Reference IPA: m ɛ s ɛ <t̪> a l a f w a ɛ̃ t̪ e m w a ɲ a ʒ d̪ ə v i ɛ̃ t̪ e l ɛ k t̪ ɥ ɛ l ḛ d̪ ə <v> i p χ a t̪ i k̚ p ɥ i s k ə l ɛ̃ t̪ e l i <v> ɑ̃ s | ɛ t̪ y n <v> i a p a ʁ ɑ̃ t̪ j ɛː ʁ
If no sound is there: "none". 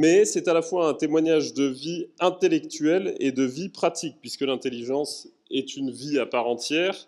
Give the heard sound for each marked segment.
t̪, v, ʒ, v

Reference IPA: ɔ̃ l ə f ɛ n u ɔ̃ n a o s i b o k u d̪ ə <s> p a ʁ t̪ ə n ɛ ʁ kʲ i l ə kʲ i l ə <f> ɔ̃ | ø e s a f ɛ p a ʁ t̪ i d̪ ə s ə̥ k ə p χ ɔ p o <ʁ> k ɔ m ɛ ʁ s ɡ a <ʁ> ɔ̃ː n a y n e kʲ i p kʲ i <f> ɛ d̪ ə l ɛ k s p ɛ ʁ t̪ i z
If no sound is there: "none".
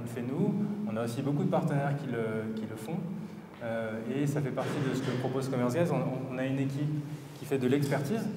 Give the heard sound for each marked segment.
none, f, z, z, f

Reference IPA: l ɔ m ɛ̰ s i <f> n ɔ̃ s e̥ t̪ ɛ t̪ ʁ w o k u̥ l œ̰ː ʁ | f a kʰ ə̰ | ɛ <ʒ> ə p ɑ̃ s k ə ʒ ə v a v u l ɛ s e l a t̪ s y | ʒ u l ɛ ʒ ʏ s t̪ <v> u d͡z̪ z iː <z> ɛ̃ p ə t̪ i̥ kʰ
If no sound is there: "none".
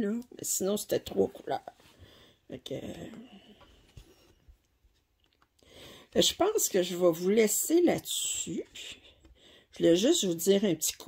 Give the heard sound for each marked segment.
none, ʒ, v, ʁ

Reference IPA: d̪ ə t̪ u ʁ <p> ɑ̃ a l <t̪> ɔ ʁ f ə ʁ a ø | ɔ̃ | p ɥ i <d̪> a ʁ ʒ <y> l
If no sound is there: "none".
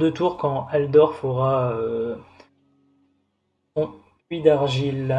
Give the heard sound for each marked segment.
k, d̪, d̪, i

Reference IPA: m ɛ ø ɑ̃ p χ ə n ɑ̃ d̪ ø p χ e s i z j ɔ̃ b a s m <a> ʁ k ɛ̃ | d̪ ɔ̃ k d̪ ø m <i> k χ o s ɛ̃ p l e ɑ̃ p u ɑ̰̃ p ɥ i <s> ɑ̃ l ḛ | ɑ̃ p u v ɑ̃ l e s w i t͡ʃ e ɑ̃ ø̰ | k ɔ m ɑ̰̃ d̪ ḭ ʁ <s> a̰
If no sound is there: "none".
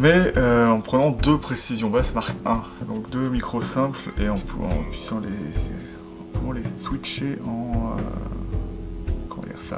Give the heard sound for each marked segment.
a, i, s, s

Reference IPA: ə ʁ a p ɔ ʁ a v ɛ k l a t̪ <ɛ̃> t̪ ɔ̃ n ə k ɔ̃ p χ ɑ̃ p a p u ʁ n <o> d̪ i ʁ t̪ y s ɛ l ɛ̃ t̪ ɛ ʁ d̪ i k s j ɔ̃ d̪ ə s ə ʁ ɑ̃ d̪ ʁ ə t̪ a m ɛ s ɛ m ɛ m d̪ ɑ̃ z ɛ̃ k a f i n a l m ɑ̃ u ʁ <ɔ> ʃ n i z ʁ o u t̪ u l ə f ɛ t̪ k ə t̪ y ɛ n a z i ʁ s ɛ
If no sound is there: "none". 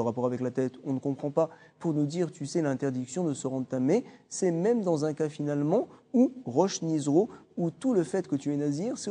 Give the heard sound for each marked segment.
ɛ, u, ɔ

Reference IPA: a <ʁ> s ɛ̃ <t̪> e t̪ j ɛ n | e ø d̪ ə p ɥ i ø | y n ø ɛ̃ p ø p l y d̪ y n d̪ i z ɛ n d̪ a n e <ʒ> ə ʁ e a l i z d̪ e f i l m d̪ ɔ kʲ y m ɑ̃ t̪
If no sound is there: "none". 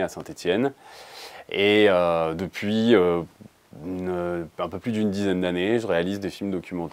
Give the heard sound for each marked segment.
none, t̪, ʒ

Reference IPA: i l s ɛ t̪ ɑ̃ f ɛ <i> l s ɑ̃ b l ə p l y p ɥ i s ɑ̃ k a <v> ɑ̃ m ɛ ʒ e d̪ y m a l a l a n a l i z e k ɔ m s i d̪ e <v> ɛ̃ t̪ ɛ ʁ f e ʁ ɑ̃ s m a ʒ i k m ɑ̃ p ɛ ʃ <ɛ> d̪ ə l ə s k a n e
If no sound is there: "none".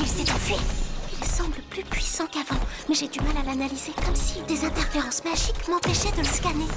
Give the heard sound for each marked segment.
i, v, z, ɛ

